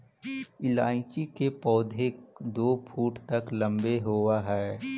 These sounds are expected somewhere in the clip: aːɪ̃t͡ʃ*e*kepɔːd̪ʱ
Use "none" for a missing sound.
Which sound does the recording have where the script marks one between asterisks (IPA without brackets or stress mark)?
i